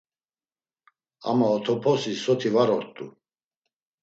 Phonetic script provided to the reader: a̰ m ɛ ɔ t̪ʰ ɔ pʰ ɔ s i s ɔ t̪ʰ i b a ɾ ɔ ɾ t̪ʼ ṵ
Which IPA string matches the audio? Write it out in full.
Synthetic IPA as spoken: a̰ m a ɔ t̪ʰ ɔ pʰ ɔ s i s ɔ t̪ʰ i v a ɾ ɔ ɾ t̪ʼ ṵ